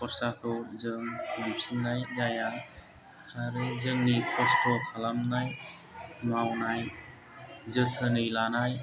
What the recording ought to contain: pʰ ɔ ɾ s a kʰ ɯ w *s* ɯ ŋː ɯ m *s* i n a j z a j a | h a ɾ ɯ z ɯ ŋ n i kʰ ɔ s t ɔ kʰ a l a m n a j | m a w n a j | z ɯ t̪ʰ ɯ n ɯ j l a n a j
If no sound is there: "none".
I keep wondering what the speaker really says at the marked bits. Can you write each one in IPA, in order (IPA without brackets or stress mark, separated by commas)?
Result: z, s